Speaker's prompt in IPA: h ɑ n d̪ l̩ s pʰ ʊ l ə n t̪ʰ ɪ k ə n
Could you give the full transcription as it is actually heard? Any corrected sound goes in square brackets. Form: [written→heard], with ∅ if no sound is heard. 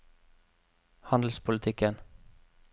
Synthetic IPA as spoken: h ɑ n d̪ l̩ s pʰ ʊ l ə [n→∅] t̪ʰ ɪ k ə n